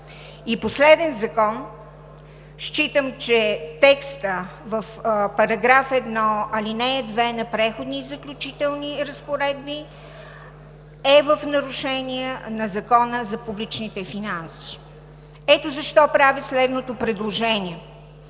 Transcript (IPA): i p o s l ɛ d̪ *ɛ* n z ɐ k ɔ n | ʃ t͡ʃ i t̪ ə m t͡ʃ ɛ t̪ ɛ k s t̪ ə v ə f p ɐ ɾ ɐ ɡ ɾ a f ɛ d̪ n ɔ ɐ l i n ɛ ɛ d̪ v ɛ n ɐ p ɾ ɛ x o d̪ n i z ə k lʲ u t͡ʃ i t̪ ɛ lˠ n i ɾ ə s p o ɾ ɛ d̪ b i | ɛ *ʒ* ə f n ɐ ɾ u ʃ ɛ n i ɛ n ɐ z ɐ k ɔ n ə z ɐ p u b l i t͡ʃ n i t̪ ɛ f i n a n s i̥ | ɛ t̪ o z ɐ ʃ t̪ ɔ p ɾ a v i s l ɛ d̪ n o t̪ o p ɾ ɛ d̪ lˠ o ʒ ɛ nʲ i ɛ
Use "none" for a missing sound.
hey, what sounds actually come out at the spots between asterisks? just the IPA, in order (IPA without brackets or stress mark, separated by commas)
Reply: ɛ, v